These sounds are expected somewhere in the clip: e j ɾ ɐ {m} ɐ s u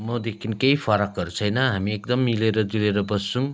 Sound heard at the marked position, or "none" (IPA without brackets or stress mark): b